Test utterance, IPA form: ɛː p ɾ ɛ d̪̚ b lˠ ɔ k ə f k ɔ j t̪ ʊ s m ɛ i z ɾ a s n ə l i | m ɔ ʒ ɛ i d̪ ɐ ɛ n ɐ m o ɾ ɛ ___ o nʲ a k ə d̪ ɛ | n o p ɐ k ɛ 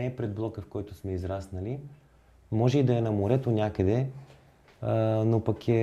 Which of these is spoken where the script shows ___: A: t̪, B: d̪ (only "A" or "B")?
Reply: A